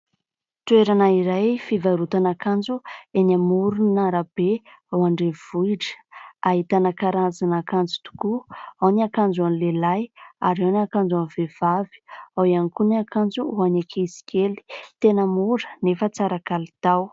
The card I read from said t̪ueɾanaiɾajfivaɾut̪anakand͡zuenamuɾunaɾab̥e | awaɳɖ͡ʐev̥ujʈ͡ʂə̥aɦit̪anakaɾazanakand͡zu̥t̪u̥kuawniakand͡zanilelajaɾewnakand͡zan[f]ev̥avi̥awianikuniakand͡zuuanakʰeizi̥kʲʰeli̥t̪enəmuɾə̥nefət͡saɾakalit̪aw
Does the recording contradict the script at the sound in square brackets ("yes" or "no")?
yes